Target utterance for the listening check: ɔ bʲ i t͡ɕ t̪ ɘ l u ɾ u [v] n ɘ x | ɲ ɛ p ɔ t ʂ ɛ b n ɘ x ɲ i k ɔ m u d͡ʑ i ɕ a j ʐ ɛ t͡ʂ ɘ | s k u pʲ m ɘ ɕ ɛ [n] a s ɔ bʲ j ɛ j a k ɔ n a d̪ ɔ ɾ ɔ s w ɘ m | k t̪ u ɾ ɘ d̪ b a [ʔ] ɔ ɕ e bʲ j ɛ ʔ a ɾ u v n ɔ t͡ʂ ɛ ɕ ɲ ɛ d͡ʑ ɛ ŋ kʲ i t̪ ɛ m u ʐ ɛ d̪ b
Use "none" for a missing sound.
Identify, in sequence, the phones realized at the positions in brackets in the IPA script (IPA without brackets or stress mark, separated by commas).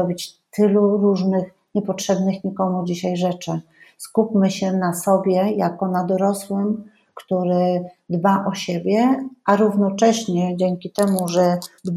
ʐ, n, ʔ